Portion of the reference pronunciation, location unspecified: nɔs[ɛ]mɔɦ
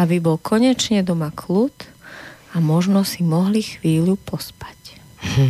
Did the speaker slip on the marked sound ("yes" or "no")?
yes